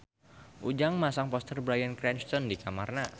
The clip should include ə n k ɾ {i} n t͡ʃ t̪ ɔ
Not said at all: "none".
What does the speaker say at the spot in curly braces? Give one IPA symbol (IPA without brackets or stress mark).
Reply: ɛ